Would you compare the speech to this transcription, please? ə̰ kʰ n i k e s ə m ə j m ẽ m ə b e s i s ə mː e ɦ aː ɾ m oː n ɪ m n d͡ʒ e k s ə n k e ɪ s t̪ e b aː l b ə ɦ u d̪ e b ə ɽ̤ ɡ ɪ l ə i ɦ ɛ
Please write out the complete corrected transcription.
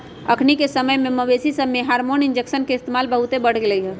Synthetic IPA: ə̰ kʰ n i k e s ə m ə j m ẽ m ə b e s i s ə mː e ɦ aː ɾ m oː n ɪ n d͡ʒ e k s ə n k e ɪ s t̪ e m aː l b ə ɦ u t̪ e b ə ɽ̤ ɡ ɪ l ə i ɦ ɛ